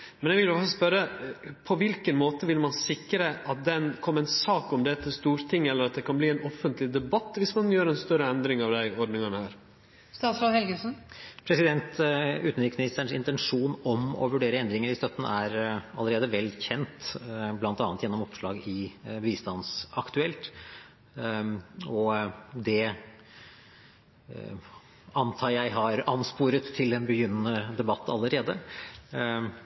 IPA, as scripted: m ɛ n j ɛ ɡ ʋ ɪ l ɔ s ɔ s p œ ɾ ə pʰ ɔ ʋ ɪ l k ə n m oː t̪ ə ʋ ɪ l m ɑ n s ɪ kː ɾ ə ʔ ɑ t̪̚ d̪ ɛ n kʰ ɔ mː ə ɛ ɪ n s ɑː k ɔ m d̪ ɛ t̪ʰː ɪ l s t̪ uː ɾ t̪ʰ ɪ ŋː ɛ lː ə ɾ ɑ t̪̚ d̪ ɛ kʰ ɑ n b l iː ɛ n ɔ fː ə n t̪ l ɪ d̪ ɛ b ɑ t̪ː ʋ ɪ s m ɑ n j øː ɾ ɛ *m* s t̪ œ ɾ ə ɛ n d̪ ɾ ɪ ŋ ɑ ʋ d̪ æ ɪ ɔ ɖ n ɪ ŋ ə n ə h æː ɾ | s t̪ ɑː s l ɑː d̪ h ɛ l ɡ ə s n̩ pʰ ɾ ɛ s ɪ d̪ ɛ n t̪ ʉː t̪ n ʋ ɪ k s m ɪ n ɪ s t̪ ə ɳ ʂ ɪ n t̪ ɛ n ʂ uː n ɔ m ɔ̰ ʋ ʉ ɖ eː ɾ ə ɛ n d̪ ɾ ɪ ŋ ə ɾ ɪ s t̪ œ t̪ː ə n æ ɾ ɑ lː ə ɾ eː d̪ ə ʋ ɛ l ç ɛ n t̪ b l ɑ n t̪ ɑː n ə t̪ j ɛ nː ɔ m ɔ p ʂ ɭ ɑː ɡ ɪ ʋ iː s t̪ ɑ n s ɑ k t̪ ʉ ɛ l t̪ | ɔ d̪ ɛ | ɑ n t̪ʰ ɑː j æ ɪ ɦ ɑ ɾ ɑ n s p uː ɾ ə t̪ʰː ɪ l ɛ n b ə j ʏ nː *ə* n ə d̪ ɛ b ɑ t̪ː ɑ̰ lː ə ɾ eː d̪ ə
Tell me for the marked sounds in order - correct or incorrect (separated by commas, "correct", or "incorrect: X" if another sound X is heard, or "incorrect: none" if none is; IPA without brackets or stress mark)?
incorrect: n, correct